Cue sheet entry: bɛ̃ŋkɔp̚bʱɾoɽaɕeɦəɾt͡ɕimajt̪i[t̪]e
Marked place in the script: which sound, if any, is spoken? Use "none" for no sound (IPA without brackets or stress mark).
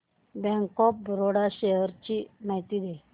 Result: d̪